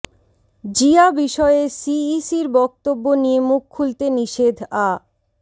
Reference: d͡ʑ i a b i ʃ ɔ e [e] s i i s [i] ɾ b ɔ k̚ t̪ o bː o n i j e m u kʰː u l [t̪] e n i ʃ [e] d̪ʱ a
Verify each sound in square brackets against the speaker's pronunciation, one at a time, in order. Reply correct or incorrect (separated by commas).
correct, correct, correct, correct